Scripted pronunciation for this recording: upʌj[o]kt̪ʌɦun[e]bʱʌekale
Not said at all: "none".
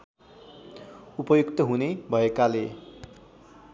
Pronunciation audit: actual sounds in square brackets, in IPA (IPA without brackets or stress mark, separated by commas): u, e